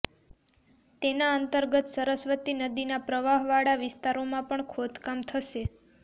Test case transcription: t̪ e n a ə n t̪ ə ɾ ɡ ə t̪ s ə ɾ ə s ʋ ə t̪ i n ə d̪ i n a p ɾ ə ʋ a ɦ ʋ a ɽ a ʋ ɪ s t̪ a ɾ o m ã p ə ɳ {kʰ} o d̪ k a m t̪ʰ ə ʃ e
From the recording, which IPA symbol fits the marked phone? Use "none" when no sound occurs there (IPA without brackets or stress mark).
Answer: kʰ